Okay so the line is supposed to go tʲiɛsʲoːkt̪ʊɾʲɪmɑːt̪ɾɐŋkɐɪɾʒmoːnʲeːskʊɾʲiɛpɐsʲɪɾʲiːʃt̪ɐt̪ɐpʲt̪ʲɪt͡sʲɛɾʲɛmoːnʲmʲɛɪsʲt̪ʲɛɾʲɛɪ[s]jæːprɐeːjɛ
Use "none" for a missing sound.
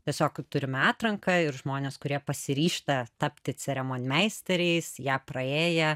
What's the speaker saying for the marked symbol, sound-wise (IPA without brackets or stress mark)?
s